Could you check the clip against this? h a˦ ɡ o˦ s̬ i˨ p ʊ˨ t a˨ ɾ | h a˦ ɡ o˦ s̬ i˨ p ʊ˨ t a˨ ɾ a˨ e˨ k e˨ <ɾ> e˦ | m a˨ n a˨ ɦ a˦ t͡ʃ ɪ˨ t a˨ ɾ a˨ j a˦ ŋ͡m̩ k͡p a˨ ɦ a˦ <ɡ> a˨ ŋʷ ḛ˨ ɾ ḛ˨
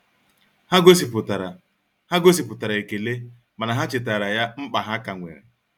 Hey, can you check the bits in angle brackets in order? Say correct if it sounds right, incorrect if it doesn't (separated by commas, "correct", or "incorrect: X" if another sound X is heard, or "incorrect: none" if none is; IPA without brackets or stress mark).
incorrect: l, incorrect: k